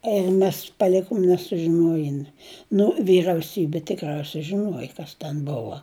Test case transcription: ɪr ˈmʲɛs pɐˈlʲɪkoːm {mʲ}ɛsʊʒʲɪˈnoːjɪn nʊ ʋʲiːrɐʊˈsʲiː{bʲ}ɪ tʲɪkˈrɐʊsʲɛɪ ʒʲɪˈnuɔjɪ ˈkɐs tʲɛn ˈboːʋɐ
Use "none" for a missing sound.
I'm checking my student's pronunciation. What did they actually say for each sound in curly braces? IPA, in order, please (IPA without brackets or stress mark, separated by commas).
nʲ, bʲ